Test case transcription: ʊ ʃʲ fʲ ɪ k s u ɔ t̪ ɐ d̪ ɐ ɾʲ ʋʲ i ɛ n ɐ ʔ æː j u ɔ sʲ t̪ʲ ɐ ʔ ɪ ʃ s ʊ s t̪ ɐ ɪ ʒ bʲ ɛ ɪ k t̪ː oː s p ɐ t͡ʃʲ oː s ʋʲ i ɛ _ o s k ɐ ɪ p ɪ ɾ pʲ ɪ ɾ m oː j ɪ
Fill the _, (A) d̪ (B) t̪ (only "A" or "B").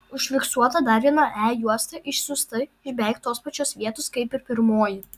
B